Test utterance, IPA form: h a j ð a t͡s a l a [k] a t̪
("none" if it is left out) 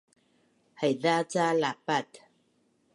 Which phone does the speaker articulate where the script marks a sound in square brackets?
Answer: p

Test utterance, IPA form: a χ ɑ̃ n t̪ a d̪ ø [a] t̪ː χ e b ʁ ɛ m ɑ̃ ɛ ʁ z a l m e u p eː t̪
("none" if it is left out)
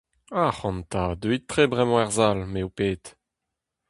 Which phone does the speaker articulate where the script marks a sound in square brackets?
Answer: i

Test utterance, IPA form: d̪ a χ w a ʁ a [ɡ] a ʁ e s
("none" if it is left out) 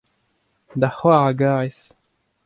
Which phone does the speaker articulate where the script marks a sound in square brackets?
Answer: ɡ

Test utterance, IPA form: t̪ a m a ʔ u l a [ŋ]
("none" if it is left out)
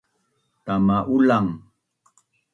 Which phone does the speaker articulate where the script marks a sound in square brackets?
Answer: ŋ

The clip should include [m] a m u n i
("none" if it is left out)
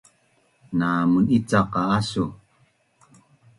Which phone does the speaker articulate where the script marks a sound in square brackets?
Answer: n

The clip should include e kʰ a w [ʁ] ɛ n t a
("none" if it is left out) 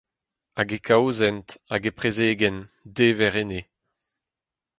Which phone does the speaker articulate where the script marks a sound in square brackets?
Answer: z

